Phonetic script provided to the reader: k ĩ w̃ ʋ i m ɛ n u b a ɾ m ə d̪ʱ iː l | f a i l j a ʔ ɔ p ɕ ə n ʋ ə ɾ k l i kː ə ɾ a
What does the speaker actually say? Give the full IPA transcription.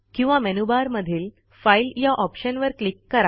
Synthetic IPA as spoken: k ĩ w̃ ʋ a m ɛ n u b a ɾ m ə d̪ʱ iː l | f a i l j a ʔ ɔ p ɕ ə n ʋ ə ɾ k l i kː ə ɾ a